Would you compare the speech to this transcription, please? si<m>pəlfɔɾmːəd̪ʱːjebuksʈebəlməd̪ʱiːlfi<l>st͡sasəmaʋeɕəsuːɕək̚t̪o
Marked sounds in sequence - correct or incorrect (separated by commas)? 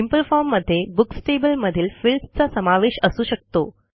correct, correct